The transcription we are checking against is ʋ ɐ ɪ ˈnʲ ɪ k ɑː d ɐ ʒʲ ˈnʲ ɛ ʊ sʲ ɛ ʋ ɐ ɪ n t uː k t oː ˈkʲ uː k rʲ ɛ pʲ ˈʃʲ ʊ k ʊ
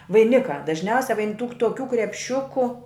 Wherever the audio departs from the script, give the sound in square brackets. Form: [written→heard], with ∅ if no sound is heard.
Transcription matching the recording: ʋ ɐ ɪ ˈnʲ ɪ k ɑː d ɐ ʒʲ ˈnʲ ɛ ʊ sʲ ɛ ʋ ɐ ɪ n t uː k t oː ˈkʲ uː k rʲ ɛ pʲ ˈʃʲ ʊ k ʊ